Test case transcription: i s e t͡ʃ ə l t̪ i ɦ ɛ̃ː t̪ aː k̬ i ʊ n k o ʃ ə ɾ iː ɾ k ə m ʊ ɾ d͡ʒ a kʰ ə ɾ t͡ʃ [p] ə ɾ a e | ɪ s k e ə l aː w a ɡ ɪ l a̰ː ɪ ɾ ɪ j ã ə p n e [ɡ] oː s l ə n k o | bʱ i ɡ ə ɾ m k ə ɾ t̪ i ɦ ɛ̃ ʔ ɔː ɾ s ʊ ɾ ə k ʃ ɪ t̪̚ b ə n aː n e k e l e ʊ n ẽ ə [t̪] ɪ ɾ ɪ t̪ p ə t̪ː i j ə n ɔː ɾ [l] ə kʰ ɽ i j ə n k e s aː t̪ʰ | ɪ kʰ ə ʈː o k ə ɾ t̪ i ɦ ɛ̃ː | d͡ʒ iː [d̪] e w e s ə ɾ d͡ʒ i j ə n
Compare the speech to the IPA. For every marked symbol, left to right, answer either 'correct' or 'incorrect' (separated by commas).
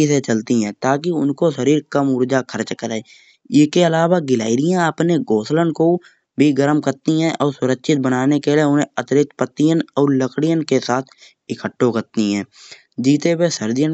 incorrect, correct, correct, correct, incorrect